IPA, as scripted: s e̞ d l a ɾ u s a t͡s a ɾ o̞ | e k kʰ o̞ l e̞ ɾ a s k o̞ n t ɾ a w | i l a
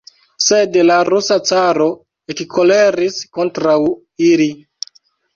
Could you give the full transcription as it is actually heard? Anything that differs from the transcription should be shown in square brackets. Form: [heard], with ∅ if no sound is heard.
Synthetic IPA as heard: s e̞ d l a ɾ u s a t͡s a ɾ o̞ | e k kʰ o̞ l e̞ ɾ [i] s k o̞ n t ɾ a w | i l [i]